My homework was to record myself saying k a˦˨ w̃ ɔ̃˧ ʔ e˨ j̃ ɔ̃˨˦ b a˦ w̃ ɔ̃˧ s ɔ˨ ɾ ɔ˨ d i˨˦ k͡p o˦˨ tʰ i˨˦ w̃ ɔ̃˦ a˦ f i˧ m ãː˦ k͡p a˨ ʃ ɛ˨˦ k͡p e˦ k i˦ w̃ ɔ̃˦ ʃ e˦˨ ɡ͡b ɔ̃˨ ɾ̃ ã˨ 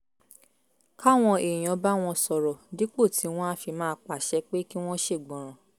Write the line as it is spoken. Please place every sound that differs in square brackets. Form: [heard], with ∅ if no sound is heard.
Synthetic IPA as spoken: k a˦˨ w̃ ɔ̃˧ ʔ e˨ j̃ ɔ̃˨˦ b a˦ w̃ ɔ̃˧ s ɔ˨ ɾ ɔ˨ d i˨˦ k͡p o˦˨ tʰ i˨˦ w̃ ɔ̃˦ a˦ f i˧ m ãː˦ k͡p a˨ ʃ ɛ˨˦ k͡p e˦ k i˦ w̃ ɔ̃˦ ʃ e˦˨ ɡ͡b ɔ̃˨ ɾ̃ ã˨